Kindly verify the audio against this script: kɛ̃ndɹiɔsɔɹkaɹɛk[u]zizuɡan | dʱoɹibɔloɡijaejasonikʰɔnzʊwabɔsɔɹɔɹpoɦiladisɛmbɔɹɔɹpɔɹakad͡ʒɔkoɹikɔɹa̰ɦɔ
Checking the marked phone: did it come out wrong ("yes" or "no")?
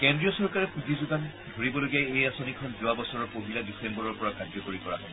no